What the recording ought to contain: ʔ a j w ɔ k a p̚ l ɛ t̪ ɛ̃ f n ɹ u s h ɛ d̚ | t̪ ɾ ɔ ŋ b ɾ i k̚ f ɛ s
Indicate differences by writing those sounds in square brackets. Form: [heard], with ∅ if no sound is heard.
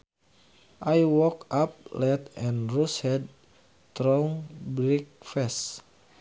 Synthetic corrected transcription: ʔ a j w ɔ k a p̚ l ɛ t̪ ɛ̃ [∅] n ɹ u s h ɛ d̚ | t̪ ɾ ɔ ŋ b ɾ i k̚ f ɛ s